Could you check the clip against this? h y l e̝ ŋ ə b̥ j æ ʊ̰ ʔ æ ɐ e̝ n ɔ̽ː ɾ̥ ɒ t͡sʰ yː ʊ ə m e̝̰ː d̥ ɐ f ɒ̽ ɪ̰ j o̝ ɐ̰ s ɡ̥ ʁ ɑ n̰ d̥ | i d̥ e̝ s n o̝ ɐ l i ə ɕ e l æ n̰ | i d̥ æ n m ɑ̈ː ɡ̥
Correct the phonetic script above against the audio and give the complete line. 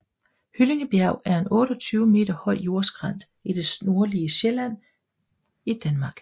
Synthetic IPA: h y l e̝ ŋ ə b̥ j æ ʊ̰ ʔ æ ɐ e̝ n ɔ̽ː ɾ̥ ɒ t͡sʰ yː ʊ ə m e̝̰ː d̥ ɐ h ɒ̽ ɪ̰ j o̝ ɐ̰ s ɡ̥ ʁ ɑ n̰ d̥ | i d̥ e̝ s n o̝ ɐ l i ə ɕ e l æ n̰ | i d̥ æ n m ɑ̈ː ɡ̥